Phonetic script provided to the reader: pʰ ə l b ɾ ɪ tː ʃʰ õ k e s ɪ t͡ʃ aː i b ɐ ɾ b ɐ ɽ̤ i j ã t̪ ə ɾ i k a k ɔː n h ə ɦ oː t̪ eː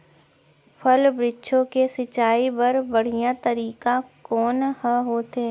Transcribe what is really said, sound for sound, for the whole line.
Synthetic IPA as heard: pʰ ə l b ɾ ɪ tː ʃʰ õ k e s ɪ t͡ʃ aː i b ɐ ɾ b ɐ ɽ̤ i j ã t̪ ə ɾ iː k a k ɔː n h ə ɦ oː t̪ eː